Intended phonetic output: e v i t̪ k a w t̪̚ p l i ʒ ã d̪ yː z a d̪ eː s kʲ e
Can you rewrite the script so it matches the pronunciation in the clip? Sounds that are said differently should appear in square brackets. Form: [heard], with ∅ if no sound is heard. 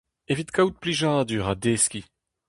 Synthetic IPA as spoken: e v i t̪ k a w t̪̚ p l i ʒ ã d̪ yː [ʁ] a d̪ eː s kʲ [i]